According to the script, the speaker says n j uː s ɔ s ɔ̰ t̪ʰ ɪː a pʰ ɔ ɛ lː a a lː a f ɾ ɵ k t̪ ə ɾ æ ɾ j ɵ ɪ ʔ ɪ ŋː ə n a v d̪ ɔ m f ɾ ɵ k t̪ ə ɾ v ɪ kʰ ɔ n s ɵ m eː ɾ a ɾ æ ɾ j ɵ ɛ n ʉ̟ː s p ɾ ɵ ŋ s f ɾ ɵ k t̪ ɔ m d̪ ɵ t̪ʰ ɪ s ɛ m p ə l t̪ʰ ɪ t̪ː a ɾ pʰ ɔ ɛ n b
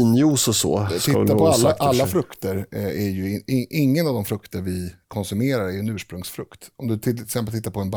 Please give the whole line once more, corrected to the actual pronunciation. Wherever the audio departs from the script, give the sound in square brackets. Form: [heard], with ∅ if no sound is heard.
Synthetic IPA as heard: n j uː s ɔ s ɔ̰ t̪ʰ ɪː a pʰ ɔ [a] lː a a lː a f ɾ ɵ k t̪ ə ɾ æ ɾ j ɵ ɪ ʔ ɪ ŋː ə n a v d̪ ɔ m f ɾ ɵ k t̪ ə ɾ v ɪ kʰ ɔ n s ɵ m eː ɾ a ɾ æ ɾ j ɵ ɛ n ʉ̟ː [ʂ] p ɾ ɵ ŋ s f ɾ ɵ k t̪ ɔ m d̪ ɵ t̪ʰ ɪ s ɛ m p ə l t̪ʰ ɪ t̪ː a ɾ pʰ ɔ ɛ n b